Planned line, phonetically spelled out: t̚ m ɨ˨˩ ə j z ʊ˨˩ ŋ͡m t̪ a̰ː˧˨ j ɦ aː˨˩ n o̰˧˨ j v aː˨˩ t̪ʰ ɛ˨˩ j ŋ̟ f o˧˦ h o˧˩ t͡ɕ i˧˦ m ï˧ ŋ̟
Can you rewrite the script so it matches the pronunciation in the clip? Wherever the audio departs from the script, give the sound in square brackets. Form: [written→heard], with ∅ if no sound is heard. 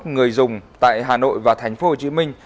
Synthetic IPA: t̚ [m→ŋ] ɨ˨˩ ə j z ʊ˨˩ ŋ͡m t̪ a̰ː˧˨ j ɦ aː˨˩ n o̰˧˨ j v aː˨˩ t̪ʰ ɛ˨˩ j ŋ̟ f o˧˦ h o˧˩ t͡ɕ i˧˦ m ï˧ ŋ̟